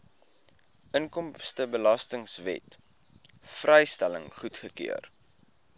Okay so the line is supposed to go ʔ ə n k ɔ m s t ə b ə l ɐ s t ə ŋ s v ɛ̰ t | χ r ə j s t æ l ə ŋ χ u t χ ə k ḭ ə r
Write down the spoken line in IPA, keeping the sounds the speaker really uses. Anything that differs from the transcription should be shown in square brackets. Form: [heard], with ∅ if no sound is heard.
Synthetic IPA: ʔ ə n k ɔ m s t ə b ə l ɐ s t ə ŋ s v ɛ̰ t | [f] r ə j s t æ l ə ŋ χ u t χ ə k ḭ ə r